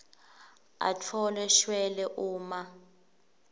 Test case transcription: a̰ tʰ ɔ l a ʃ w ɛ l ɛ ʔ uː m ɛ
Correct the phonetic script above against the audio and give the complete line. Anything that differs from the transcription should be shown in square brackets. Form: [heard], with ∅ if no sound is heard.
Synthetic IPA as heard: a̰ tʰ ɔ l [ɛ] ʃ w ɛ l ɛ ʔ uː m [a]